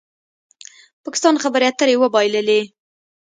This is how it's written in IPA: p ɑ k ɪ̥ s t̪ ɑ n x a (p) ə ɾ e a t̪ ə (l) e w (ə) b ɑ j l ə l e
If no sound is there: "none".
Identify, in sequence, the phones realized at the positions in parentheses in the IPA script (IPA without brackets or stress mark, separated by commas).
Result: b, ɾ, ə